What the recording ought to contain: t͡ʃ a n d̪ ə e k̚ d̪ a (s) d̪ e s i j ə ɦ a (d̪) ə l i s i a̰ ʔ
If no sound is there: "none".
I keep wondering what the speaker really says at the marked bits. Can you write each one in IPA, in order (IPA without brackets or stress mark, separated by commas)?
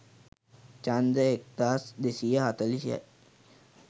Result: s, t̪